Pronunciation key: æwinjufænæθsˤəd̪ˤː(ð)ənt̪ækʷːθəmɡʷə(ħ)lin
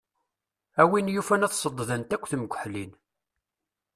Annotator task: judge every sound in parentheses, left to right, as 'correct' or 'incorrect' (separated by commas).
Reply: correct, correct